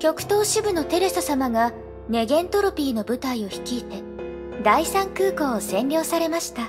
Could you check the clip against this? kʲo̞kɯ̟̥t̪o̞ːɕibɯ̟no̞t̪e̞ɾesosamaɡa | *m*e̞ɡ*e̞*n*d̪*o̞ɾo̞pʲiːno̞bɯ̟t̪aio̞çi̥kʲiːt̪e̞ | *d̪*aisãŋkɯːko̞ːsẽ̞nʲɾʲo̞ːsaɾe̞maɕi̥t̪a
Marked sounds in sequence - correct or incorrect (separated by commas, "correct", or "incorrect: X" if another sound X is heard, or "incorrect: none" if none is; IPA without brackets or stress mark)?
incorrect: n, incorrect: ẽ̞, incorrect: t̪, correct